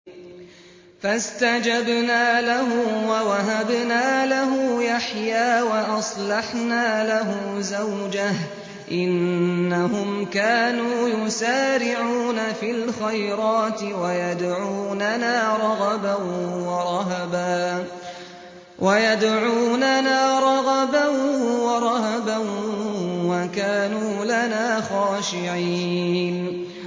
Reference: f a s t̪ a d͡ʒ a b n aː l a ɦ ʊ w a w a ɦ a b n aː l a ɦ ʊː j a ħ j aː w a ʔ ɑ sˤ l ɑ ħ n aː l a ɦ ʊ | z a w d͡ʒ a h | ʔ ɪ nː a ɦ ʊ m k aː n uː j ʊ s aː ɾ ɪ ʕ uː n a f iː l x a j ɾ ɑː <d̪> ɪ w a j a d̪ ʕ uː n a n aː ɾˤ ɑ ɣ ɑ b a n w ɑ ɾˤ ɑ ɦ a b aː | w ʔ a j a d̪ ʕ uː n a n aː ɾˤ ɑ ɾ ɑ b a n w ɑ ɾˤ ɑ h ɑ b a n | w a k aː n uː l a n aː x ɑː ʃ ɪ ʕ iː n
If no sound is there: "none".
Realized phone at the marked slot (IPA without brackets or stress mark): t̪